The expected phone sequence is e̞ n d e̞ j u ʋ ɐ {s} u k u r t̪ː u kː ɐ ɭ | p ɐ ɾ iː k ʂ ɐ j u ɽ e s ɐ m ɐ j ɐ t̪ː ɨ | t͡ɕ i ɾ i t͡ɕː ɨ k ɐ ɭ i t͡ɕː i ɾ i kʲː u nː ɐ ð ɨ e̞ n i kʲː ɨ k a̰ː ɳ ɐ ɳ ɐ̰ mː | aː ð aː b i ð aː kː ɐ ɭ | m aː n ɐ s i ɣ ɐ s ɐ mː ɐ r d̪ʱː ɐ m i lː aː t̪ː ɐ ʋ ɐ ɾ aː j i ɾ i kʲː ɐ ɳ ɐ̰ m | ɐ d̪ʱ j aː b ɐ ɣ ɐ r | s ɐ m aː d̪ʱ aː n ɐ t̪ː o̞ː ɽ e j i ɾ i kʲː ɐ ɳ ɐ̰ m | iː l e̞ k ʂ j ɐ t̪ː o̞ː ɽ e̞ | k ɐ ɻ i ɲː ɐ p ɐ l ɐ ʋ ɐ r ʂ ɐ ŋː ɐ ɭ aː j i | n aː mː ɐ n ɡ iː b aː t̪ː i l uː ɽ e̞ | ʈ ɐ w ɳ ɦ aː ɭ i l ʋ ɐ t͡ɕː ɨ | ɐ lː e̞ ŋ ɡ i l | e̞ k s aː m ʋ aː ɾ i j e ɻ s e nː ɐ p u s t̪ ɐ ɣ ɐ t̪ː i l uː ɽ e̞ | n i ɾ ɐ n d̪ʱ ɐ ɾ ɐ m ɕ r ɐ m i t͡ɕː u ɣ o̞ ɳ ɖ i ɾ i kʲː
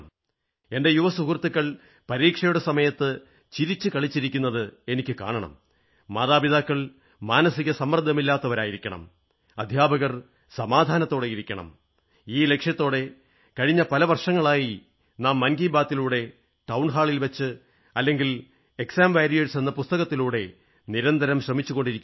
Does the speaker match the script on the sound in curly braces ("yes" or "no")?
yes